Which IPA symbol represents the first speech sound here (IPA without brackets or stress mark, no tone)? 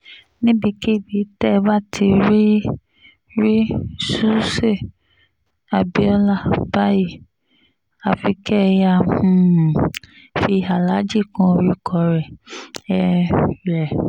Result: n